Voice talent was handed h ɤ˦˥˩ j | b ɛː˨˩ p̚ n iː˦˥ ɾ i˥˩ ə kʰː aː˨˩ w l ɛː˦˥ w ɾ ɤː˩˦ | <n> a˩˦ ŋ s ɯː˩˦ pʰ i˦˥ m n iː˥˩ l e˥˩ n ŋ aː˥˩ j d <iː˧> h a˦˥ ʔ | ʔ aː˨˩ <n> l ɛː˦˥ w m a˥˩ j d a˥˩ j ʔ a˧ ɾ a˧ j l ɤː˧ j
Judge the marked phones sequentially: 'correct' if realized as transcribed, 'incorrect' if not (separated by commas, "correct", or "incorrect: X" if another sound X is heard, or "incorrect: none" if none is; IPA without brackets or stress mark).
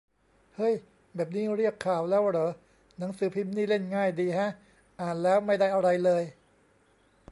correct, correct, correct